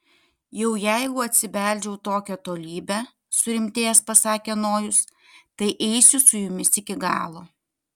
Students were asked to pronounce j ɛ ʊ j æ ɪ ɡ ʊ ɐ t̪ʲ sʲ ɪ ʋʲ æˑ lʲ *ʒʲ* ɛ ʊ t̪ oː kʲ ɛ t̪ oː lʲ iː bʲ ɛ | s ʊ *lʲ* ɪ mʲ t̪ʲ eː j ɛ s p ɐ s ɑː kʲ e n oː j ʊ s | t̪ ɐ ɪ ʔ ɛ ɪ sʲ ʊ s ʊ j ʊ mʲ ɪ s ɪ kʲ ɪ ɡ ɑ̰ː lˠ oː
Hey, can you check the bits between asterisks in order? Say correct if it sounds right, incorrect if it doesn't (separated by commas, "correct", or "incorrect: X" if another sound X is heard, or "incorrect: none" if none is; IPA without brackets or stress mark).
incorrect: d͡ʒʲ, incorrect: ɾʲ